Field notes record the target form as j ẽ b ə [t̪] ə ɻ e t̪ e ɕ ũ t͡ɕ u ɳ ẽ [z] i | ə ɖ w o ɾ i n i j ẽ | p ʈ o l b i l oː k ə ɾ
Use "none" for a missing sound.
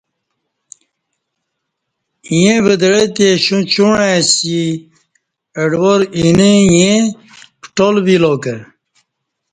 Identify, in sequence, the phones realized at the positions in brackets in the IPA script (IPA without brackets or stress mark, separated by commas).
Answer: d̪, s